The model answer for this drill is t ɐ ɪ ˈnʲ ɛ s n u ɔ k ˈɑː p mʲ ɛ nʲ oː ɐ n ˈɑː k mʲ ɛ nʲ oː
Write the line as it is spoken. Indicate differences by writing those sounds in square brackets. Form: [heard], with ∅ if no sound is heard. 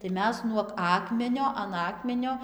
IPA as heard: t ɐ ɪ [ˈmʲ] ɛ s n u ɔ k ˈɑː [k] mʲ ɛ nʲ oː ɐ n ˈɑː k mʲ ɛ nʲ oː